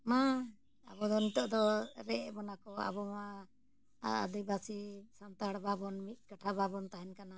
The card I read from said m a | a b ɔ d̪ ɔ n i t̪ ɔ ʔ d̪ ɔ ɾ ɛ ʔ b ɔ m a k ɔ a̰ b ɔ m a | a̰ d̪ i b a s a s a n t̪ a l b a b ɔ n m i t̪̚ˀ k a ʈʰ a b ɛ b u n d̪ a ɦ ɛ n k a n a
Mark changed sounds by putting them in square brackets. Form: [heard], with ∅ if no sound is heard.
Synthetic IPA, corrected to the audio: m a | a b ɔ d̪ ɔ n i t̪ ɔ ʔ d̪ ɔ ɾ ɛ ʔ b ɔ [n] a k ɔ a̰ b ɔ m a | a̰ d̪ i b a s [i] s a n t̪ a [ɽ] b a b ɔ n m i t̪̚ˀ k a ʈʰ a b [a] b [ɔ] n [t̪] a ɦ ɛ n k a n a